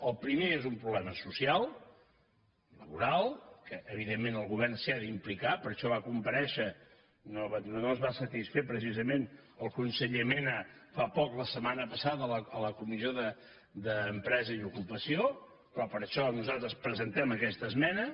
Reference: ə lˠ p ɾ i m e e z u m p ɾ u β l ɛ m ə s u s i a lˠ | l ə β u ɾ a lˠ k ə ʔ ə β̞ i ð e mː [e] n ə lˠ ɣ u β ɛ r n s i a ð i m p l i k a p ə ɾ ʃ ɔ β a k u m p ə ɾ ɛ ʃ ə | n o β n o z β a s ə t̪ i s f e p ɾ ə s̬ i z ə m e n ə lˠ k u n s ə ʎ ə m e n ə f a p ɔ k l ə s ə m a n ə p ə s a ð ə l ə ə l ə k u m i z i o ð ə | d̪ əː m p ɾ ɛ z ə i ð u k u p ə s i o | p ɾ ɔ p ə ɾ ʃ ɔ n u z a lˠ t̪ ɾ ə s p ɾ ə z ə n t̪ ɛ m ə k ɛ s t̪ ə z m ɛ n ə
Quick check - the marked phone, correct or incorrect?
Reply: correct